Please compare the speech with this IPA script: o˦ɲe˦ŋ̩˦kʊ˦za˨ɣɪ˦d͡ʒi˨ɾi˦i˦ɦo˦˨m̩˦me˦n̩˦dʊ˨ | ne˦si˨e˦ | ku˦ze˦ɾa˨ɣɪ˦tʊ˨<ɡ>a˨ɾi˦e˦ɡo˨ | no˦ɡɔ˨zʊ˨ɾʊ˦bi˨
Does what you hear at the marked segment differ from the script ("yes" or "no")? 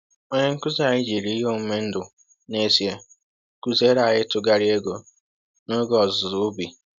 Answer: no